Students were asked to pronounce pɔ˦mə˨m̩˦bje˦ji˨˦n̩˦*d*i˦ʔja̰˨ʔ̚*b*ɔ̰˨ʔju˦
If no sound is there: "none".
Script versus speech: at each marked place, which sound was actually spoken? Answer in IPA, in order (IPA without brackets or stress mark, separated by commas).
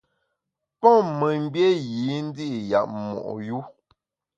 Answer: d, m